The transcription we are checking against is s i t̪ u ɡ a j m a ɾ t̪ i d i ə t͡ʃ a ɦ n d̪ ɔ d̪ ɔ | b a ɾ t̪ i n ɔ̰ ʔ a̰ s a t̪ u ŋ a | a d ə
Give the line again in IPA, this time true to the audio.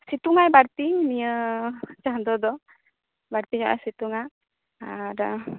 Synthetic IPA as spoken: s i t̪ u ŋ a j b a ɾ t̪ i n i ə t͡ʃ a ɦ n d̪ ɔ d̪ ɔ | b a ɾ t̪ i ɲ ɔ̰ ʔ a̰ s i t̪ u ŋ a | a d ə